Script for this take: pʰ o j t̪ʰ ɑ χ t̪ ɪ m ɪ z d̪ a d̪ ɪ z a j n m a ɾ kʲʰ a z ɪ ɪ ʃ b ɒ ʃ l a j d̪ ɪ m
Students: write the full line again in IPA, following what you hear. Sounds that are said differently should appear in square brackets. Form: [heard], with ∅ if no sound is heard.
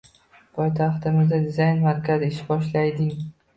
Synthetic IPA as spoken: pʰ [ɒ] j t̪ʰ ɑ χ t̪ ɪ m ɪ z d̪ a d̪ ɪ z a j n m a ɾ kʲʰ a z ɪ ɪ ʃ b ɒ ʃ l a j d̪ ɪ [ŋ]